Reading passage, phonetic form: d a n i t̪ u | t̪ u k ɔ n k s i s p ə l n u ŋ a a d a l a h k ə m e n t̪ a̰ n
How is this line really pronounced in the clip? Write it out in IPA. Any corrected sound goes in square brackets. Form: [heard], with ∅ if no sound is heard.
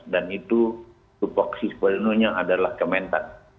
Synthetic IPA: d a n i t̪ u | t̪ u [p] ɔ [∅] k s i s p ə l n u [ɲ] a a d a l a h k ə m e n t̪ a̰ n

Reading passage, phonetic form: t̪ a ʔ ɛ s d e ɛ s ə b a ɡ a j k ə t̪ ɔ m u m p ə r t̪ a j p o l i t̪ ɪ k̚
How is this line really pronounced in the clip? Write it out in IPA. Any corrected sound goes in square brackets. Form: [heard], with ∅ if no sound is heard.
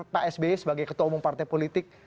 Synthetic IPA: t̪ a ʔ ɛ s [b] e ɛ s ə b a ɡ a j k ə t̪ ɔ m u [ŋ] p [a] r t̪ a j p o l i t̪ ɪ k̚

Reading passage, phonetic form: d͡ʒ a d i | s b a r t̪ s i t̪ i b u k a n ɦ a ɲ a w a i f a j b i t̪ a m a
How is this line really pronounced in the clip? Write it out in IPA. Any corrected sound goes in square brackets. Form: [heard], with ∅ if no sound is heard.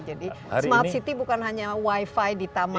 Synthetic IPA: d͡ʒ a d i | s [m] a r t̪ s i t̪ i b u k a n ɦ a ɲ a w a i f a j [d] i t̪ a m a

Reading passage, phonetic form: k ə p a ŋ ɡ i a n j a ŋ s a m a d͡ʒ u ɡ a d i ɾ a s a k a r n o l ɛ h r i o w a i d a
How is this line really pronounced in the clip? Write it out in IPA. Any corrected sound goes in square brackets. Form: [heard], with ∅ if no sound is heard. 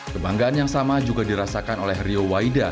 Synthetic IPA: k ə [b] a ŋ ɡ [a] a n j a ŋ s a m a d͡ʒ u ɡ a d i ɾ a s a k a [∅] n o l ɛ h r i o w a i d a

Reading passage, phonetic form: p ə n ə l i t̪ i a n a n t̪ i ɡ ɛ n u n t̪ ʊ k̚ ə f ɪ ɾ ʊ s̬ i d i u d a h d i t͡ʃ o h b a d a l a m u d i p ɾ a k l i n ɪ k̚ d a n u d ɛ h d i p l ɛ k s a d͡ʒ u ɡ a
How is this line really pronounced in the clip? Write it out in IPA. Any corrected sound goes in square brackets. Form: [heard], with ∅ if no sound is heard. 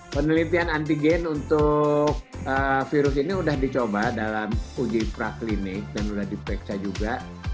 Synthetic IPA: p ə n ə l i t̪ i a n a n t̪ i ɡ ɛ n u n t̪ ʊ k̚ ə f [i] ɾ ʊ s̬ i [n] i u d a h d i t͡ʃ o [∅] b a d a l a m u [d͡ʒ] i p ɾ a k l i n ɪ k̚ d a n u d [a] h d i p [ɾ] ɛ k s a d͡ʒ u ɡ a

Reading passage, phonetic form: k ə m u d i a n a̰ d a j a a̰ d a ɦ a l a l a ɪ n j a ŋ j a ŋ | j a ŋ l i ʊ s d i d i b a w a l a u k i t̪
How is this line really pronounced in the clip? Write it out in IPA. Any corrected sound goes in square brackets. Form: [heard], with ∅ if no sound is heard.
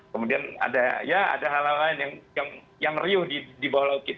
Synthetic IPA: k ə m u d i a n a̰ d a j a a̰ d a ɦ a l a l a ɪ n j a ŋ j a ŋ | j a ŋ [r] i ʊ [h] d i d i b a w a l a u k i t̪

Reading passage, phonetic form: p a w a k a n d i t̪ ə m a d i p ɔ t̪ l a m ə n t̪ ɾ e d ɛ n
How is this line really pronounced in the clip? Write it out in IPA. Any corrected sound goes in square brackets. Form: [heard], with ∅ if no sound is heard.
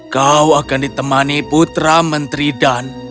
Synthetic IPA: [k] a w a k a n d i t̪ ə m a [n] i p [u] t̪ [ɾ] a m ə n t̪ ɾ [i] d [a] n

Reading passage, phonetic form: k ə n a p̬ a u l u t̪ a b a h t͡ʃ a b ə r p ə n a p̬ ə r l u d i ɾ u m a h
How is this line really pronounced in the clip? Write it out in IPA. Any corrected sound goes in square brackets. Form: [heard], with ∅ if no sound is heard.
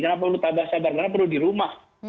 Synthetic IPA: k ə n a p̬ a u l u t̪ a b a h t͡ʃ a b [a] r [k] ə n a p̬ ə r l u d i ɾ u m a h

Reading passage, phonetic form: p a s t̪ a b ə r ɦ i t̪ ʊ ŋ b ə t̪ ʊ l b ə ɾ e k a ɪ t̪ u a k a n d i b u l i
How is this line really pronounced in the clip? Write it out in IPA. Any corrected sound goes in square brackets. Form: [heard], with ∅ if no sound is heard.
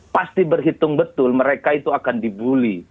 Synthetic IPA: p a s t̪ [i] b ə r ɦ i t̪ ʊ ŋ b ə t̪ ʊ l [m] ə ɾ e k a [i] t̪ u a k a n d i b u l i

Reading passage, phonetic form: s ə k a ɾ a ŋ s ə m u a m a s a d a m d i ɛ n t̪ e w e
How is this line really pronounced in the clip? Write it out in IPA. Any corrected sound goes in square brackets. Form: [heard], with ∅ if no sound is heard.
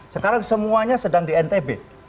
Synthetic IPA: s ə k a ɾ a ŋ s ə m u a [ɲ] a s [ə] d a [ŋ] d i ɛ n t̪ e [b] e

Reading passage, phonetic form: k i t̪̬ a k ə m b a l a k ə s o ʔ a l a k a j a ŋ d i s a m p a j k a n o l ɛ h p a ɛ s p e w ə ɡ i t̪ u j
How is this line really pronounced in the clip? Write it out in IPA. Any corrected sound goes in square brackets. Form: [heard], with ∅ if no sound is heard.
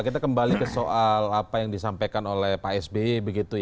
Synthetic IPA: k i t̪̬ a k ə m b a l [i] k ə s o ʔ a l a [p] a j a ŋ d i s a m p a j k a n o l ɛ h p a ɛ s [b] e [b] ə ɡ i t̪ u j

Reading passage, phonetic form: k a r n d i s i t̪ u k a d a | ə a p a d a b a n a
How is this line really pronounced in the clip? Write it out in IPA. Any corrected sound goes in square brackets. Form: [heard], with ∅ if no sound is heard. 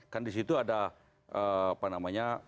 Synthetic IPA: k a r n d i s i t̪ u [∅] a d a | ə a p a [n] a [m] a [ɲ] a

